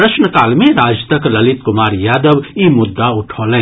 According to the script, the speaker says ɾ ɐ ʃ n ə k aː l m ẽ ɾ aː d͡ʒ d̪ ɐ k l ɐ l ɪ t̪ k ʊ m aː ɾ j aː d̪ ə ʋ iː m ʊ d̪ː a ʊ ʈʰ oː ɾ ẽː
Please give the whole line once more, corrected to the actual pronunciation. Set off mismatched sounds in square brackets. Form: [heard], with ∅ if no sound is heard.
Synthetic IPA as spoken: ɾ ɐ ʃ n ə k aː l m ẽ ɾ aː d͡ʒ [t̪] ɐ k l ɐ l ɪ t̪ k ʊ m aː ɾ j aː d̪ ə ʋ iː m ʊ d̪ː a ʊ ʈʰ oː [l] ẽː